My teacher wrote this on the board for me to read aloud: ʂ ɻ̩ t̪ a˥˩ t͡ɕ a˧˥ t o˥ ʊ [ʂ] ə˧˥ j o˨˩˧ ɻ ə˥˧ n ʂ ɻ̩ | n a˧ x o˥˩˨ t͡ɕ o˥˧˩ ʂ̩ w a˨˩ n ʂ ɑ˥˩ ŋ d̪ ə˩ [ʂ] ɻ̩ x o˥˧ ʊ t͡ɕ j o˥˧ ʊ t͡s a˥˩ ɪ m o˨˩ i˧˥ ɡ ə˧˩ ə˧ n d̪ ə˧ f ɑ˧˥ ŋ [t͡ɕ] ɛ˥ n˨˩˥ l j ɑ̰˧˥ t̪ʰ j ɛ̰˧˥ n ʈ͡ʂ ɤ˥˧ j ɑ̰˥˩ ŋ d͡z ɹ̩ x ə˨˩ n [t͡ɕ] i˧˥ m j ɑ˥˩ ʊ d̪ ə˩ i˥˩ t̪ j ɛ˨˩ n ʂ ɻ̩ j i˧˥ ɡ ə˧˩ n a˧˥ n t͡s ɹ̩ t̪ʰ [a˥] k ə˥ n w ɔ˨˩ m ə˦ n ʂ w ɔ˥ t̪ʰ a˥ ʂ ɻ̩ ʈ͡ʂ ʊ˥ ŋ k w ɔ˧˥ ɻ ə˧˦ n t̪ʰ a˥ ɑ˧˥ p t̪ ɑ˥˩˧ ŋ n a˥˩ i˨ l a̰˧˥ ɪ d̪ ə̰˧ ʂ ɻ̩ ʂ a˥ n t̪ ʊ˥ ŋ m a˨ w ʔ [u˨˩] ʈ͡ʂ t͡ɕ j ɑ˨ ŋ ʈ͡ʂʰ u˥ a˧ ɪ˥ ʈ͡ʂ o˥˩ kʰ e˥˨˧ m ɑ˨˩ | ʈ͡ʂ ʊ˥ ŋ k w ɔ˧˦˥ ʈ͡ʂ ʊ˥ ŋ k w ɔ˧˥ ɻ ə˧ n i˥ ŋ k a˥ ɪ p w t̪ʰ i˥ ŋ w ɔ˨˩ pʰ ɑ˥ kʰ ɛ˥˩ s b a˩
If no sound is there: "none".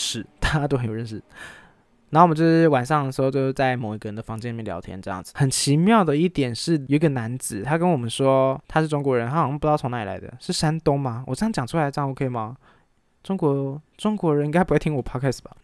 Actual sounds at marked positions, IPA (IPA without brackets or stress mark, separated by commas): x, ʂ, t͡ɕ, t͡ɕʰ, a˥, ɔ˨˩